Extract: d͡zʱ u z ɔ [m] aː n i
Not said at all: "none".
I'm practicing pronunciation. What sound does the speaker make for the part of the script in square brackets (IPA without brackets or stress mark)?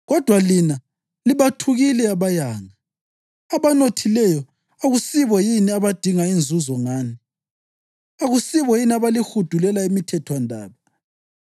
ŋ